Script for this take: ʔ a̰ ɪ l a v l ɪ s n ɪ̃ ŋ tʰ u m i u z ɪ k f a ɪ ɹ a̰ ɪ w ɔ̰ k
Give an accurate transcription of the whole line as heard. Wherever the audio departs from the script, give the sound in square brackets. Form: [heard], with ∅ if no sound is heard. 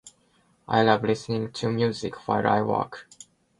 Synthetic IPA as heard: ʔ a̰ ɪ l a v l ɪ s n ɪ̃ ŋ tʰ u m [j] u z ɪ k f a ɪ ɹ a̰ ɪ w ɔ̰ k

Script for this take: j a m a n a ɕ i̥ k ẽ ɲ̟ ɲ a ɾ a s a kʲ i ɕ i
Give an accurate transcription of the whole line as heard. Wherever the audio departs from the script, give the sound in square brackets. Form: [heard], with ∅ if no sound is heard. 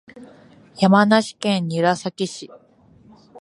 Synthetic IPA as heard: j a m a n a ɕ i̥ k ẽ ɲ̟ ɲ [i] ɾ a s a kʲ i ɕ i

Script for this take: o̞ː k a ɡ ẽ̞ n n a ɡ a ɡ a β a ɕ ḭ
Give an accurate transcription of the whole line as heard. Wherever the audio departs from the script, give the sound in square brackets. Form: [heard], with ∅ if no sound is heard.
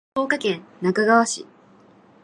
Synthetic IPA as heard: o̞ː k a [k] ẽ̞ n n a [k] a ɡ a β a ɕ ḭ

